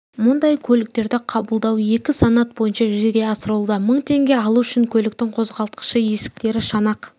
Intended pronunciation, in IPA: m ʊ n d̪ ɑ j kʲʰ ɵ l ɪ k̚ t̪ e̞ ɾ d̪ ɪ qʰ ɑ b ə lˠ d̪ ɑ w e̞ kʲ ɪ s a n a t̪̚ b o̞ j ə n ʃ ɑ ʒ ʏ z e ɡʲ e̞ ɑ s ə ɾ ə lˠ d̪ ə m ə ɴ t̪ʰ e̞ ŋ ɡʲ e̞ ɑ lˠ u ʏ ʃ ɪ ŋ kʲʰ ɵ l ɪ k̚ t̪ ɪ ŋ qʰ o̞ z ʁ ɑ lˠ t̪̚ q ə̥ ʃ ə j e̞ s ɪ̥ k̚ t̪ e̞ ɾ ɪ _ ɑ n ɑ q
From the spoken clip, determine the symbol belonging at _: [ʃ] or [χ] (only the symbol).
ʃ